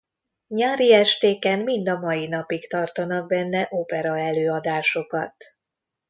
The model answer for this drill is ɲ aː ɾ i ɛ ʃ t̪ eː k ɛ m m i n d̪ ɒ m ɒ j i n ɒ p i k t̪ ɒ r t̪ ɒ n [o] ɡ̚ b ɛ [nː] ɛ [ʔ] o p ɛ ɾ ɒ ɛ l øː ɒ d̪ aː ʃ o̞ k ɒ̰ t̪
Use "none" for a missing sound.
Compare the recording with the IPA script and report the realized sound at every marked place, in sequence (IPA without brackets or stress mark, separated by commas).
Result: ɒ, nː, ʔ